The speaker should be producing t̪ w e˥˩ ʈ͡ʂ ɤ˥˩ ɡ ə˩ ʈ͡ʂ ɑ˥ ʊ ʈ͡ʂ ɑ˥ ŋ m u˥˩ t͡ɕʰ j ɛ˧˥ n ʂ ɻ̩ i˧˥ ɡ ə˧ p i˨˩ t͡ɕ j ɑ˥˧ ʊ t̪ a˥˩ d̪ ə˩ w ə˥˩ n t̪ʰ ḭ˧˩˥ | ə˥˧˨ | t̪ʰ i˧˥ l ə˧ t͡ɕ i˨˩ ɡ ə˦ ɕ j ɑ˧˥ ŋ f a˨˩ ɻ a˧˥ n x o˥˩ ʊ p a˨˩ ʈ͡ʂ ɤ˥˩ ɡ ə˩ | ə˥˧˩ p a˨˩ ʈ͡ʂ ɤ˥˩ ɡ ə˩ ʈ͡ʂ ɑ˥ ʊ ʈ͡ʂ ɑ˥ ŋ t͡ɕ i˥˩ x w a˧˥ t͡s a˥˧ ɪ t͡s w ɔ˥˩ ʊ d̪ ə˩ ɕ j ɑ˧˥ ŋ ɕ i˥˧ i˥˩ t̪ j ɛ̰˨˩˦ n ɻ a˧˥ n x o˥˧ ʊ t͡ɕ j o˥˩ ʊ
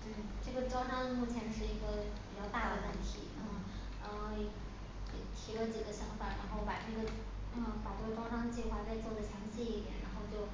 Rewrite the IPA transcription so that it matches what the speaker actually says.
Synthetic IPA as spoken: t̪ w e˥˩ ʈ͡ʂ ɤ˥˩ ɡ ə˩ ʈ͡ʂ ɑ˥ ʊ ʈ͡ʂ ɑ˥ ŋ m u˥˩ t͡ɕʰ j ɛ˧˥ n ʂ ɻ̩ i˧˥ ɡ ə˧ p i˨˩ t͡ɕ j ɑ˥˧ ʊ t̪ a˥˩ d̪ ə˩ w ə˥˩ n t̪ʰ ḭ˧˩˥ | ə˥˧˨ | t̪ʰ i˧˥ l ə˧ t͡ɕ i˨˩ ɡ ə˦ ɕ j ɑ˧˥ ŋ f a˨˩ ɻ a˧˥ n x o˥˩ ʊ p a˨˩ ʈ͡ʂ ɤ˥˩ ɡ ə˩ | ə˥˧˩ p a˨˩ ʈ͡ʂ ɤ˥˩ ɡ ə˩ ʈ͡ʂ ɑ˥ ʊ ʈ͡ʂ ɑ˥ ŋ t͡ɕ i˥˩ x w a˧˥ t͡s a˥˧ ɪ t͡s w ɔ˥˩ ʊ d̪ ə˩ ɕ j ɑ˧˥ ŋ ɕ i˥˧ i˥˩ t̪ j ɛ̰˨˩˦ n ɻ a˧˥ n x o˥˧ ʊ t͡ɕ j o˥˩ ʊ

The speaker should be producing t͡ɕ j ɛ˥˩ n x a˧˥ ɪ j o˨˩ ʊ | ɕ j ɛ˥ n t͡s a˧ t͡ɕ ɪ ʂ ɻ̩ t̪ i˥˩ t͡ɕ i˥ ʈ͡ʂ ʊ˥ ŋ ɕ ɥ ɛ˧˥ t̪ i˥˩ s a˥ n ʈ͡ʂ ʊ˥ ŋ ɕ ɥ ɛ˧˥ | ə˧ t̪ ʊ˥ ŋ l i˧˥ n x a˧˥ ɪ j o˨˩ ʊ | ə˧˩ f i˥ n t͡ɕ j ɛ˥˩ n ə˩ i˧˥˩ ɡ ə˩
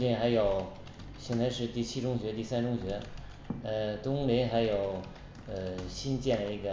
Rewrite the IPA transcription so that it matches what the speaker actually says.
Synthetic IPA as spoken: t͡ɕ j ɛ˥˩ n x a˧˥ ɪ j o˨˩ ʊ | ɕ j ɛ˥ n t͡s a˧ ɪ ʂ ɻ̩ t̪ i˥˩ t͡ɕʰ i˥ ʈ͡ʂ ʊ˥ ŋ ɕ ɥ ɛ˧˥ t̪ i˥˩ s a˥ n ʈ͡ʂ ʊ˥ ŋ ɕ ɥ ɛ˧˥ | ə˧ t̪ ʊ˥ ŋ l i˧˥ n x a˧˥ ɪ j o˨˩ ʊ | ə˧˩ ɕ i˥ n t͡ɕ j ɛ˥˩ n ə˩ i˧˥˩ ɡ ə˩

